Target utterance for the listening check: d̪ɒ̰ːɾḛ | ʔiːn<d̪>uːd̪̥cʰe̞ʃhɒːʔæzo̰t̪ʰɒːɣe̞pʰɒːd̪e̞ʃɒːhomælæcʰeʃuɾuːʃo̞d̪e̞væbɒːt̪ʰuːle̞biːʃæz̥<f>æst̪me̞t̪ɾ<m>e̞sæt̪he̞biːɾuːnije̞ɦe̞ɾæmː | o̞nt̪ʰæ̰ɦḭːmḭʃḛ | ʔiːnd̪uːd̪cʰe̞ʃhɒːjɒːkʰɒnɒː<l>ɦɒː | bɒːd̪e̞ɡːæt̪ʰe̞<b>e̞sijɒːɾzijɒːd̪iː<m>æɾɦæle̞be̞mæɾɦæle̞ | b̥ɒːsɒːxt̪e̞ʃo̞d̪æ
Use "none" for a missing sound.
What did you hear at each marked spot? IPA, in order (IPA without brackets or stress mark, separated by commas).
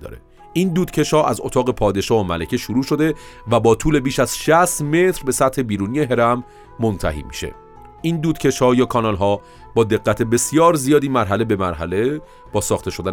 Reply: d̪, ʃ, b, l, b, m